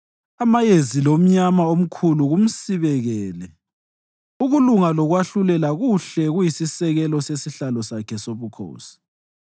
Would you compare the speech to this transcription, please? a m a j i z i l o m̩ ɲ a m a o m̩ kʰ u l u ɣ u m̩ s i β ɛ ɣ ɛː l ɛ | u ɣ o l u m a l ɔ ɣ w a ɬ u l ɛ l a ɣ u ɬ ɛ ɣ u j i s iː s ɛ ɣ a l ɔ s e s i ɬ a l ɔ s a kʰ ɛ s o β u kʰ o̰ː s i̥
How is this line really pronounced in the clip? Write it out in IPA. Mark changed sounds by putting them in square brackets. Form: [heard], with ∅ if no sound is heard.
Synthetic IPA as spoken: a m a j [e] z i l o m̩ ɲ a m a o m̩ kʰ u l u ɣ u m̩ s i β ɛ ɣ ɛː l ɛ | u ɣ [u] l u [ŋ] a l ɔ ɣ w a ɬ u l ɛ l a ɣ u ɬ ɛ ɣ u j i s [i] s ɛ ɣ [ɛ] l ɔ s e s i ɬ a l ɔ s a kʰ ɛ s o β u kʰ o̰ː s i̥